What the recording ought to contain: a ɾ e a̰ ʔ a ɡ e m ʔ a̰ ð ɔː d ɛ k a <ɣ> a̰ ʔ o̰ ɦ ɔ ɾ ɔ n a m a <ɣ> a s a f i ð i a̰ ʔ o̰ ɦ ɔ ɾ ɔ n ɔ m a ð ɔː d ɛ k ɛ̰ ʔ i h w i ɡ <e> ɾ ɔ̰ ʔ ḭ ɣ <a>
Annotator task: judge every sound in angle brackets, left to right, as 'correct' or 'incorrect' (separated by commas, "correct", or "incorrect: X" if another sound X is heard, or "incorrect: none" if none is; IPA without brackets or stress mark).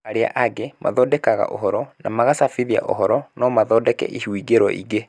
correct, correct, correct, incorrect: e